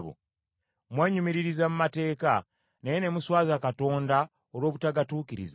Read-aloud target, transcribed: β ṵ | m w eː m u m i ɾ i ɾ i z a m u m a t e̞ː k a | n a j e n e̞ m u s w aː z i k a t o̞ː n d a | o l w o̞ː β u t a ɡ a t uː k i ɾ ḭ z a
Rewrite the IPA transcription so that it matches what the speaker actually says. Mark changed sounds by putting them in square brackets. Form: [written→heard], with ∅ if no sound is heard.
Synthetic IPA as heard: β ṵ | m w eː [m→ɲ] u m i ɾ i ɾ i z a m u m a t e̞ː k a | n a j e n e̞ m u s w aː z [i→a] k a t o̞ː n d a | o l w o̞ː β u t a ɡ a t uː k i ɾ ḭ z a